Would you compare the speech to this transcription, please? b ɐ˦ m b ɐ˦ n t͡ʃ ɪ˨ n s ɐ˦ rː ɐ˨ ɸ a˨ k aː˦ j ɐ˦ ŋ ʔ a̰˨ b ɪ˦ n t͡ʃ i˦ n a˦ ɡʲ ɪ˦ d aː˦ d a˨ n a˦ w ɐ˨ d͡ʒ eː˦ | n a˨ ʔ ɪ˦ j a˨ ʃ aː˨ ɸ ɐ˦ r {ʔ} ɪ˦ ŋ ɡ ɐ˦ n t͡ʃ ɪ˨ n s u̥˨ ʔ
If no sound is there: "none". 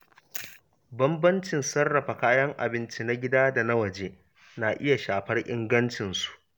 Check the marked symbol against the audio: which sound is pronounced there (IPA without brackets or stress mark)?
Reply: ʔ